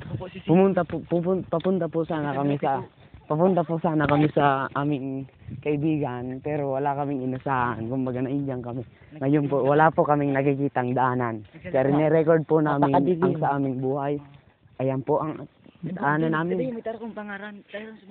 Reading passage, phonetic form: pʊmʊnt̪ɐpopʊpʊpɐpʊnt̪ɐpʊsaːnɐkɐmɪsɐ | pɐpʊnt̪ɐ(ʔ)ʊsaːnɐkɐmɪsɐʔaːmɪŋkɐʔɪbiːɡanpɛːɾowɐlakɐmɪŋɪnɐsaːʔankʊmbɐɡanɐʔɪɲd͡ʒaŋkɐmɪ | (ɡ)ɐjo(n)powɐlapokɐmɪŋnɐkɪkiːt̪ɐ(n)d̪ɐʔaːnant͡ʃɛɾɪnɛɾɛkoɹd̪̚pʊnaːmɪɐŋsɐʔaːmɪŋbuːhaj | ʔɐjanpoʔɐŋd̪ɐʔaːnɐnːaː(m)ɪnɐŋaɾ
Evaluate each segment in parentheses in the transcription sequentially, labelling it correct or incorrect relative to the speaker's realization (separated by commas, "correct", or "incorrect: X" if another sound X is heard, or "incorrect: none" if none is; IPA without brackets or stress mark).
incorrect: p, incorrect: ŋ, correct, incorrect: ŋ, correct